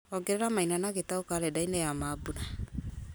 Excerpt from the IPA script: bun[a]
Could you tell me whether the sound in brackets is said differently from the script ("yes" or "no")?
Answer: no